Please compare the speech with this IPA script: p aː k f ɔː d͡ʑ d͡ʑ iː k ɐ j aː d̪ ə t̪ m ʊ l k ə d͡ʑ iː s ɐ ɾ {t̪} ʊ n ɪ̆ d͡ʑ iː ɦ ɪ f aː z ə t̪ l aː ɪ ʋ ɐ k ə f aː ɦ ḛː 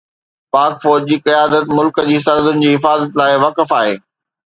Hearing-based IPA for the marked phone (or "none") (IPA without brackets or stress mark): d̪